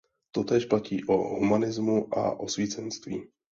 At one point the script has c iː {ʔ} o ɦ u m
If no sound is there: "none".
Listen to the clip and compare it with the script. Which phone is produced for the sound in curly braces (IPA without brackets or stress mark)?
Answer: ʔ